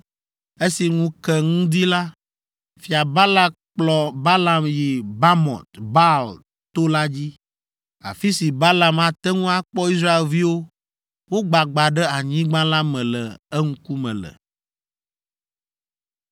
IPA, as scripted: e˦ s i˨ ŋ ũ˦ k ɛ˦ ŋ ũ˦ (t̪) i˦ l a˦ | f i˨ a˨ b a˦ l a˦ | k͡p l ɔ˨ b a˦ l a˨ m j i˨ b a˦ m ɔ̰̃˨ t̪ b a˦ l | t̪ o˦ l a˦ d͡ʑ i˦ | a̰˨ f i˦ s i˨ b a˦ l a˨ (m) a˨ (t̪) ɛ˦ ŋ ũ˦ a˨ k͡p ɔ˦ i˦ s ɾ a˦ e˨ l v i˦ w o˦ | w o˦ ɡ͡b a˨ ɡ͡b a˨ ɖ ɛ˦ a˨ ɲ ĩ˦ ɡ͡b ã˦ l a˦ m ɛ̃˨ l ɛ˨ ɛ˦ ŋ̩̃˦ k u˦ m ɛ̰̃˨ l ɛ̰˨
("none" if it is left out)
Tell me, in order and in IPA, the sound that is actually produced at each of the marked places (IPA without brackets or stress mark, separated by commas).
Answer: d̪, m, t̪